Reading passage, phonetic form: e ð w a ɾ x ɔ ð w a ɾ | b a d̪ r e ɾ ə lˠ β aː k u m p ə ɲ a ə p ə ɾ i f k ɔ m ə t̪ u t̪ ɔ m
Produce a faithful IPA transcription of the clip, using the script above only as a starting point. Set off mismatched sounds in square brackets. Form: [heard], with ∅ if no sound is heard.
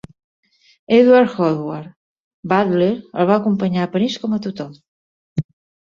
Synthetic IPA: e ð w a ɾ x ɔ ð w a ɾ | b a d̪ [l] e ɾ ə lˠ β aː k u m p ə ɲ a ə p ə ɾ i [s] k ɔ m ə t̪ u t̪ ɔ m

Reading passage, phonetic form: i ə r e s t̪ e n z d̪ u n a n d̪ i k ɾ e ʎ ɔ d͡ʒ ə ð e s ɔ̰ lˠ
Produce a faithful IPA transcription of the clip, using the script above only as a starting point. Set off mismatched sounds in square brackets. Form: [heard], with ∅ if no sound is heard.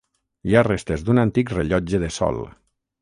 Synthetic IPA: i [a] r e s t̪ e [∅] z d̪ u n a n [t̪] i k [r] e ʎ ɔ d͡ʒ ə ð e s ɔ̰ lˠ

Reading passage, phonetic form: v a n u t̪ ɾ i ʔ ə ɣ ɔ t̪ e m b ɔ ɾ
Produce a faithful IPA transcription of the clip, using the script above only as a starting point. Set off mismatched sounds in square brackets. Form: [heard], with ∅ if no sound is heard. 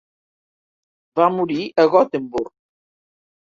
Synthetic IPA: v a [m] u [∅] ɾ i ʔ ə ɣ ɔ t̪ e m b [u] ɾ

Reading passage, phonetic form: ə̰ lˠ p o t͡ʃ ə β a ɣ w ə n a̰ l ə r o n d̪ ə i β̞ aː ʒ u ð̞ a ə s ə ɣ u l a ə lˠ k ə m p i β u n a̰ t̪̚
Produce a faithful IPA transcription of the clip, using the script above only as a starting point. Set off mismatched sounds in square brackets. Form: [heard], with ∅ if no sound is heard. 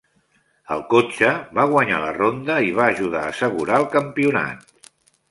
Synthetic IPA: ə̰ lˠ [k] o t͡ʃ ə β a ɣ w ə [ɲ] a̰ l ə r o n d̪ ə i β̞ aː ʒ u ð̞ a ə s ə ɣ u [ɾ] a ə lˠ k ə m p i [∅] u n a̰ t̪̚

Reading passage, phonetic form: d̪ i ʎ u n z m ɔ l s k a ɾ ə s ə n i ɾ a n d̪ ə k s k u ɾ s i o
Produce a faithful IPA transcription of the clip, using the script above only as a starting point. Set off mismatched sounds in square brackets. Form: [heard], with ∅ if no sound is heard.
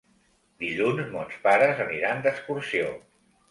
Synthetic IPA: d̪ i ʎ u n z m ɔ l s [p] a ɾ ə [z] ə n i ɾ a n d̪ ə k s k u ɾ s i o

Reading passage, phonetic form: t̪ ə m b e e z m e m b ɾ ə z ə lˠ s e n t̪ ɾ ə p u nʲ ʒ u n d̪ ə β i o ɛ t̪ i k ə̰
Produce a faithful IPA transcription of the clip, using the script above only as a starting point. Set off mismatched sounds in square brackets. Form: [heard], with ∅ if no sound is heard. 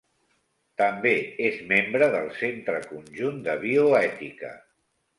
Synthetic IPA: t̪ ə m b e e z m e m b ɾ ə [ð] ə lˠ s e n t̪ ɾ ə [k] u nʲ ʒ u n d̪ ə β i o ɛ t̪ i k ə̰

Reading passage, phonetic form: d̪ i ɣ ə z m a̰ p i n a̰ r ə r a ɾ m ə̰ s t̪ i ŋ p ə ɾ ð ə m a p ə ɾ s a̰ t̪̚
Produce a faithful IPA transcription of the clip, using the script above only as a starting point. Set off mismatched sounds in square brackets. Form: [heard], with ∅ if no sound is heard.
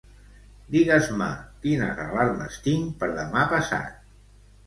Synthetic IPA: d̪ i ɣ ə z m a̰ [k] i n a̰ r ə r a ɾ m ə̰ s t̪ i ŋ p ə ɾ ð ə m a p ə [∅] s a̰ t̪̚

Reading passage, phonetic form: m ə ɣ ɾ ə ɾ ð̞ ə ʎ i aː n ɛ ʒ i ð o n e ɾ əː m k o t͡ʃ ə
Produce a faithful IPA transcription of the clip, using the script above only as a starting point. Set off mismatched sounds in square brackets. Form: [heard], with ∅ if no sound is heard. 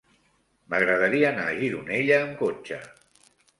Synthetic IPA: m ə ɣ ɾ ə [∅] ð̞ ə [ɾ] i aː n [a] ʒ i ð [u] n e [ʎ] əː m k o t͡ʃ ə

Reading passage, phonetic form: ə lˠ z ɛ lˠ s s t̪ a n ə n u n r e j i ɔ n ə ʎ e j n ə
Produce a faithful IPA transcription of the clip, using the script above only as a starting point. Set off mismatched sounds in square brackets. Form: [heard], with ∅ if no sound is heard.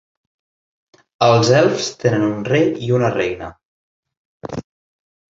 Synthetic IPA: ə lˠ z ɛ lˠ [f] s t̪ [e] n ə n u n r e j i [u] n ə [r] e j n ə

